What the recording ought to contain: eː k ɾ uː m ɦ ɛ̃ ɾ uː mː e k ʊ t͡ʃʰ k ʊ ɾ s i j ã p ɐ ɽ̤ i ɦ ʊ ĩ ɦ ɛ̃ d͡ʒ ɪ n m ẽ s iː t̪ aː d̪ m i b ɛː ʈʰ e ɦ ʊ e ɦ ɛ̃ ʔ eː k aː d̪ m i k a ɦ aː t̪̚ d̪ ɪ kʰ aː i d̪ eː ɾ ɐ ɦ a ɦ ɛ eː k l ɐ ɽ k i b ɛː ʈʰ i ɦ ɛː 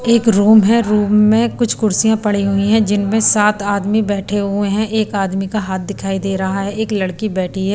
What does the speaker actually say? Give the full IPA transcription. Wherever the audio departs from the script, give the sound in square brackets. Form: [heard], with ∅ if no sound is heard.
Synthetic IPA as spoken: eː k ɾ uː m ɦ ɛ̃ ɾ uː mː [ẽ] k ʊ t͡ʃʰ k ʊ ɾ s i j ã p ɐ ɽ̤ i ɦ ʊ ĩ ɦ ɛ̃ d͡ʒ ɪ n m ẽ s [aː] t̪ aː d̪ m i b ɛː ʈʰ e ɦ ʊ e ɦ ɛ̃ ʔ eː k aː d̪ m i k a ɦ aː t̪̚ d̪ ɪ kʰ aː i d̪ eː ɾ ɐ ɦ a ɦ ɛ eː k l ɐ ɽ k i b ɛː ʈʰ i ɦ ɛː